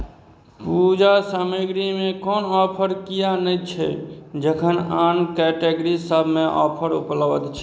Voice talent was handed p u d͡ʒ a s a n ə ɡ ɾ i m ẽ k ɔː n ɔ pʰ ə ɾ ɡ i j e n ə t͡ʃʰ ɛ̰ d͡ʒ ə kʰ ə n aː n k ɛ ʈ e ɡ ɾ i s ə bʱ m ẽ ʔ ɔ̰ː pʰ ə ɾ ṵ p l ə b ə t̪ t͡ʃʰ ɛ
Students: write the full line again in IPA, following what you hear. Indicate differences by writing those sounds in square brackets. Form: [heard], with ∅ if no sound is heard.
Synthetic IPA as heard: p u d͡ʒ a s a [m] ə ɡ ɾ i m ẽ k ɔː n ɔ pʰ ə ɾ [k] i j [a] n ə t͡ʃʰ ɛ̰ d͡ʒ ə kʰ ə n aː n k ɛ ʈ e ɡ ɾ i s ə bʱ m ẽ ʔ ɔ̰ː pʰ ə ɾ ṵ p l ə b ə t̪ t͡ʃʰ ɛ